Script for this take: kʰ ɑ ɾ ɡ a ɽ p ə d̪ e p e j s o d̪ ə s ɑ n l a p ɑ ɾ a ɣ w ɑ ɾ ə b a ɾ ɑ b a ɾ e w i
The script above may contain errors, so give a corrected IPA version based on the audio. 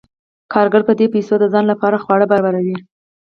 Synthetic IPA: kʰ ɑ ɾ ɡ a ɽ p ə d̪ e p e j s o d̪ ə z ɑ n l a p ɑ ɾ a x w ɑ ɽ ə b a ɾ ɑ b a ɾ a w i